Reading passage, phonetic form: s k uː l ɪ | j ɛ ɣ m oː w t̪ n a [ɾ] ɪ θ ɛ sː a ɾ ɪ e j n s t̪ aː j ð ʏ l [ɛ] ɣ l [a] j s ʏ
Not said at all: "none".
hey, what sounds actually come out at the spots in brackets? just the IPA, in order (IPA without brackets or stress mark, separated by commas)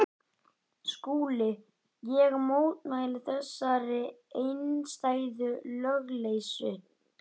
l, œ, e